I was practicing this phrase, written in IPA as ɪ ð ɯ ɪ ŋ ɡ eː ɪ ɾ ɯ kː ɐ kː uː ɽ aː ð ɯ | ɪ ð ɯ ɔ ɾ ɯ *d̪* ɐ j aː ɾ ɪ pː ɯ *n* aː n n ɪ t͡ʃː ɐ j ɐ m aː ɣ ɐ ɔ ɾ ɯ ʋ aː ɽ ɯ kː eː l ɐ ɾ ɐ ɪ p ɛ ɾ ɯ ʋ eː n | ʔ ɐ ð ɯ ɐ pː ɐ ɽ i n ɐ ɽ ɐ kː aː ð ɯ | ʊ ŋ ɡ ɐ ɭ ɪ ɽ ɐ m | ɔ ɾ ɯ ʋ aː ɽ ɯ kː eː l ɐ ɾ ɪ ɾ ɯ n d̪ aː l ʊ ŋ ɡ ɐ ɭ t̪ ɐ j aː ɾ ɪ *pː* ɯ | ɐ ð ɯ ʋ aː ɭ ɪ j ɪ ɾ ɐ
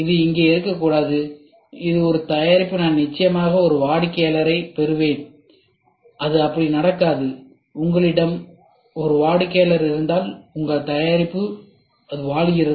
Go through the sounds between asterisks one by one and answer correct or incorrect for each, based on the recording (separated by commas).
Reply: incorrect, correct, correct